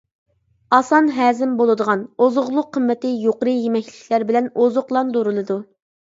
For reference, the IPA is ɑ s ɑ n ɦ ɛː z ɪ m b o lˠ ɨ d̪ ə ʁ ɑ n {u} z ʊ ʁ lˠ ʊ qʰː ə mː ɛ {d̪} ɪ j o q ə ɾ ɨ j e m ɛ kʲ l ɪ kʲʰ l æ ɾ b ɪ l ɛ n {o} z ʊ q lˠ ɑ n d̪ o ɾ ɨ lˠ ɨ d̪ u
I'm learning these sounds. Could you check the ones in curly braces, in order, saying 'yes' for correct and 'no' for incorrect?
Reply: no, no, yes

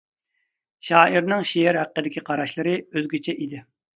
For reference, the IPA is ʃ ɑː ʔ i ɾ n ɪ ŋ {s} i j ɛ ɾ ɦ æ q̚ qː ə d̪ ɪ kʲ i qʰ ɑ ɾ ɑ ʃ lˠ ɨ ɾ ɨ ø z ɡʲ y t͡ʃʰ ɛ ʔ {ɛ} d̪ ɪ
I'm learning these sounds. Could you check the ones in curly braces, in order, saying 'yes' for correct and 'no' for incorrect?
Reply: no, no

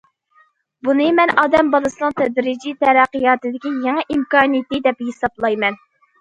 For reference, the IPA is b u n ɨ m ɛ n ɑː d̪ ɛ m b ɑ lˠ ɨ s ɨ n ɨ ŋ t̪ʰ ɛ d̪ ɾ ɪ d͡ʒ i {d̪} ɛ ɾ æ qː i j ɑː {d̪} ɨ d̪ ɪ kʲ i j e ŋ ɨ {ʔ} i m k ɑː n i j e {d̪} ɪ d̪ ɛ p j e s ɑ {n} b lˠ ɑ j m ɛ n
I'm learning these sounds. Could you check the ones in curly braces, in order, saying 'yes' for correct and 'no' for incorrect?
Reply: no, no, yes, no, no

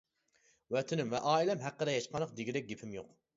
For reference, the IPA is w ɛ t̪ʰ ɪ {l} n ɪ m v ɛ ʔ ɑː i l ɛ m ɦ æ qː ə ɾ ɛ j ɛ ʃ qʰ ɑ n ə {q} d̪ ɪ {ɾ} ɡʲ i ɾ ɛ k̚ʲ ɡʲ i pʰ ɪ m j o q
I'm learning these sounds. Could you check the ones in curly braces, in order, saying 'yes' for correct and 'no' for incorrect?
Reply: no, yes, no

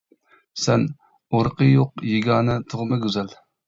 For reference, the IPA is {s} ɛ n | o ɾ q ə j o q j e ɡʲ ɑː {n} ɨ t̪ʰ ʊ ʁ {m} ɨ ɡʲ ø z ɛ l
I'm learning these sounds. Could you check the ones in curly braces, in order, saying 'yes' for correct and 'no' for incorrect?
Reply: yes, yes, yes

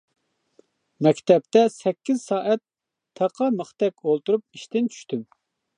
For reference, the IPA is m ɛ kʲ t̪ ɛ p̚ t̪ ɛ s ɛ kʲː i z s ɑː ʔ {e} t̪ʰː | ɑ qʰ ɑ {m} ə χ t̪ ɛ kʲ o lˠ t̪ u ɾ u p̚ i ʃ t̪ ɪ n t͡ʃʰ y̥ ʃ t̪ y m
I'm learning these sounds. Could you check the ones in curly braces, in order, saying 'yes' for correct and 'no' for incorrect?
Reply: no, yes

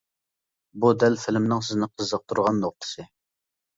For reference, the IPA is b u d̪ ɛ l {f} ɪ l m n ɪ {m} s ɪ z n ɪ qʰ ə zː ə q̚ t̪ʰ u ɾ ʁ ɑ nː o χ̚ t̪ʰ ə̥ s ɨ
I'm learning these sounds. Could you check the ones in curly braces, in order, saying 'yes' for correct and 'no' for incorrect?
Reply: yes, no

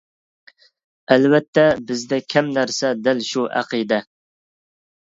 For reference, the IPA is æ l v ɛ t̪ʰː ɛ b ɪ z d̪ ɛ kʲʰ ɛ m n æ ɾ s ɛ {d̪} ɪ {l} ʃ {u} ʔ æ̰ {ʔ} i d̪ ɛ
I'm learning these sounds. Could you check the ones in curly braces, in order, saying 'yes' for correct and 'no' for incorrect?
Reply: yes, yes, yes, no

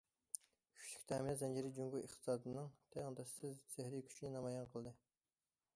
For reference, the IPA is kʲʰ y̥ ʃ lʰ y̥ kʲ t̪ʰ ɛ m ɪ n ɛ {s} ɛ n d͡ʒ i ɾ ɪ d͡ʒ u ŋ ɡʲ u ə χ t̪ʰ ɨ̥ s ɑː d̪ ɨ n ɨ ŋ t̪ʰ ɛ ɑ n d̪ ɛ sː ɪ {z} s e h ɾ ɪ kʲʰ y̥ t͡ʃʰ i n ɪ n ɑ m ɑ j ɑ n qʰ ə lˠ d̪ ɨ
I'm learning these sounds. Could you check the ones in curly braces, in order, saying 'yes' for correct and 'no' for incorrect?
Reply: no, yes

